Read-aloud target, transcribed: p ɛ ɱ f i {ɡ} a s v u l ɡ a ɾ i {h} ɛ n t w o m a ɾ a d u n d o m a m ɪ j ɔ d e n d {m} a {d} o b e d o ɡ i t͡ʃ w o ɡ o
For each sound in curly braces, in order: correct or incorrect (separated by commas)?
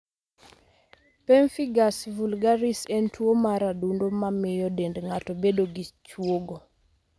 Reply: correct, incorrect, incorrect, incorrect